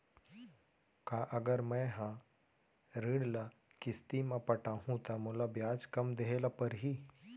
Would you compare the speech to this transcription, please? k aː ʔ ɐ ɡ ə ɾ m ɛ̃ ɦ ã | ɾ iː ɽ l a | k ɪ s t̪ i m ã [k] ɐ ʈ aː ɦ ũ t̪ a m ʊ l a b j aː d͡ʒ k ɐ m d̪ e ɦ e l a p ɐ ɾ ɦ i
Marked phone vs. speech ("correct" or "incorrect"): incorrect